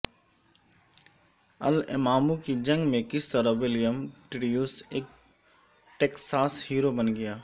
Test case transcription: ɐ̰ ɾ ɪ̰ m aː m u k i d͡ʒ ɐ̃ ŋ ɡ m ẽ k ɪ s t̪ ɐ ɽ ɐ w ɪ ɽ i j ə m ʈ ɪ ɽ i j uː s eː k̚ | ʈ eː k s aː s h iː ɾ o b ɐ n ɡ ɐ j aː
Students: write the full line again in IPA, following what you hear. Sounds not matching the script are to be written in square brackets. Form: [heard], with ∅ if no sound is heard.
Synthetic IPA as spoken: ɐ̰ [l] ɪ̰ m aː m u k i d͡ʒ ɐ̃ ŋ ɡ m ẽ k ɪ s t̪ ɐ [ɾ] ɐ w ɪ [l] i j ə m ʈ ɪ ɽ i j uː s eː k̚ | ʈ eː k s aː s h iː ɾ o b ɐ n ɡ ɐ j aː